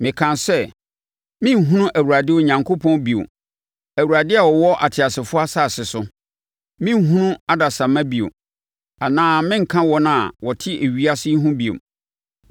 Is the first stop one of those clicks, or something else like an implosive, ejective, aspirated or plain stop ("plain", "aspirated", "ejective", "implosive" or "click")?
aspirated